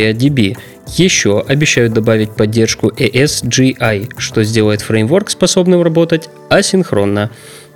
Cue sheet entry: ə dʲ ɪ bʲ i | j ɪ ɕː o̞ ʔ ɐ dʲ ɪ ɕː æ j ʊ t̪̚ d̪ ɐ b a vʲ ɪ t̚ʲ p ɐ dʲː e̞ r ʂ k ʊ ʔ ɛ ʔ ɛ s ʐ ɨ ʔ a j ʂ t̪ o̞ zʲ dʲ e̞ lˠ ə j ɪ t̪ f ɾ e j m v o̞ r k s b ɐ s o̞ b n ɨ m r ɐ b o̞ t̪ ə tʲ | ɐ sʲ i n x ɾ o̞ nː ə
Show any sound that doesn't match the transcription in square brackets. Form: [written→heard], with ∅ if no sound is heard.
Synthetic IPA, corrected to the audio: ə dʲ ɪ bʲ i | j ɪ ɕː o̞ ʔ ɐ [dʲ→bʲ] ɪ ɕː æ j ʊ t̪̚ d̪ ɐ b a vʲ ɪ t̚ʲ p ɐ dʲː e̞ r ʂ k ʊ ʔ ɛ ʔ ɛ s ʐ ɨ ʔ a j ʂ t̪ o̞ zʲ dʲ e̞ lˠ ə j ɪ t̪ f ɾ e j m v o̞ r k s [b→p] ɐ s o̞ b n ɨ m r ɐ b o̞ t̪ ə tʲ | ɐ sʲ [i→ɪ] n x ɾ o̞ nː ə